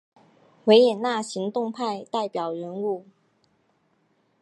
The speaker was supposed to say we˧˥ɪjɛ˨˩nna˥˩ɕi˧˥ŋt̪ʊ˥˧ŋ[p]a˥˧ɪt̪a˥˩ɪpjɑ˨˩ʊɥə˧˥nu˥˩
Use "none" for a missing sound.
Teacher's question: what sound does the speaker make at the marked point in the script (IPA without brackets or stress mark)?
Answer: pʰ